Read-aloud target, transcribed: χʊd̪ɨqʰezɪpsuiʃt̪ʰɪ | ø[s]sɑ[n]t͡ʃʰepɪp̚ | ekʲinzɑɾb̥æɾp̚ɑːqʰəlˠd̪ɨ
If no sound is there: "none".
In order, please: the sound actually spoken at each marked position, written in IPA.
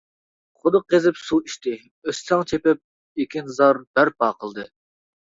s, ŋ

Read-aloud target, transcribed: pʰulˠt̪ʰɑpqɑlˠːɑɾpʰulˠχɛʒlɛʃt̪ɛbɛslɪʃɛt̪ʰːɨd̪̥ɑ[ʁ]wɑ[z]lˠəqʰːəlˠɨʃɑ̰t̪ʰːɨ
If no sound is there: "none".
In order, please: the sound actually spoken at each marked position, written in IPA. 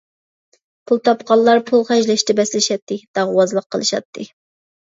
ʁ, z

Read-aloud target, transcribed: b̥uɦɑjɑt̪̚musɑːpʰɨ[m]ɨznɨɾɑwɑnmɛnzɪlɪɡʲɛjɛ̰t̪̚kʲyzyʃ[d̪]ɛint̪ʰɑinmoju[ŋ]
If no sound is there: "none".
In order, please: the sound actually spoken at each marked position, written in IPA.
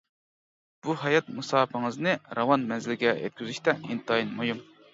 ŋ, t̪, m

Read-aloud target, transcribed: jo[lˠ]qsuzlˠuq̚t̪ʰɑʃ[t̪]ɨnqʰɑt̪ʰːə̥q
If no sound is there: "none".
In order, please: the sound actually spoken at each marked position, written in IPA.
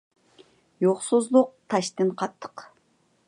none, t̪

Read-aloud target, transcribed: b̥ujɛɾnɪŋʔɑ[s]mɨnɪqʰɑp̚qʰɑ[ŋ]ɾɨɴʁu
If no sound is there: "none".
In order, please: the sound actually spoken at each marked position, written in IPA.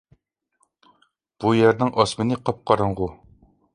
s, none

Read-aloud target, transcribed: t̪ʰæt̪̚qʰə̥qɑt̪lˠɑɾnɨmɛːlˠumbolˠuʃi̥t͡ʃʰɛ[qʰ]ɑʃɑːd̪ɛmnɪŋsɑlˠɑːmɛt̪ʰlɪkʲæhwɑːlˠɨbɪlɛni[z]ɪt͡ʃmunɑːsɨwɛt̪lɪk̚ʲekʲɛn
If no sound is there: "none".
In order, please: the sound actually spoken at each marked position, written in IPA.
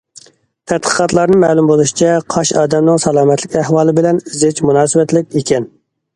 qʰ, z

